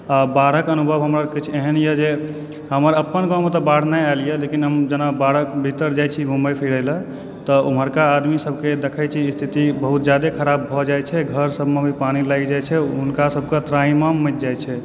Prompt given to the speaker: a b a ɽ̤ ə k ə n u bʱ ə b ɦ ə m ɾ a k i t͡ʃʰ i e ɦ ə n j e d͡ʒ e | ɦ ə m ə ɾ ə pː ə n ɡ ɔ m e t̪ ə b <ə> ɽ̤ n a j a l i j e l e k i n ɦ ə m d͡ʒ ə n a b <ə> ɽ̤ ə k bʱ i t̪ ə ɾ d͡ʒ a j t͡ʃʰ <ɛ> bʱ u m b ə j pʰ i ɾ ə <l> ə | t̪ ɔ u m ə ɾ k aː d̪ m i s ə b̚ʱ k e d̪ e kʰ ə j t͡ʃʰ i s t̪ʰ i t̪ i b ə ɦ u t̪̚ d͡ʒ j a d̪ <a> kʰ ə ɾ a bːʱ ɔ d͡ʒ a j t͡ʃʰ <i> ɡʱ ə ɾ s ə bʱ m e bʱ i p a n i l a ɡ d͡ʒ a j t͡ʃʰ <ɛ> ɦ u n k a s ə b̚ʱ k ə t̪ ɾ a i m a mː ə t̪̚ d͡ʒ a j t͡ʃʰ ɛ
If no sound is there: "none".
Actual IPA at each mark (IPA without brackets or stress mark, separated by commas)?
a, a, i, l, e, ɛ, ɛ